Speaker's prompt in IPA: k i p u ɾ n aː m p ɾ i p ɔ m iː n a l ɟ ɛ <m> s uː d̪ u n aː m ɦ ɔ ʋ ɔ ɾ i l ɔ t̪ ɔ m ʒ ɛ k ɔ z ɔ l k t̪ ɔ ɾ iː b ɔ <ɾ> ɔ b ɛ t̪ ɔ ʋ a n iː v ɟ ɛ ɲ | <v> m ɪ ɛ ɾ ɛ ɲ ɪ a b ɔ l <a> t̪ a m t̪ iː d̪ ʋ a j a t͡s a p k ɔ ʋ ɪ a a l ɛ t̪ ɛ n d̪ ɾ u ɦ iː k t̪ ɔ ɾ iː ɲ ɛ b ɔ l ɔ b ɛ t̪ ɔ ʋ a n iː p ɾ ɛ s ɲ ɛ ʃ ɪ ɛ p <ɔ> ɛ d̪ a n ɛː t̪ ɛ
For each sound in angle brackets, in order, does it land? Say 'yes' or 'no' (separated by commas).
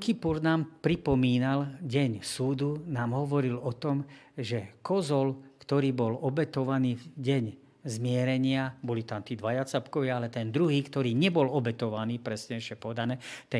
no, no, no, no, yes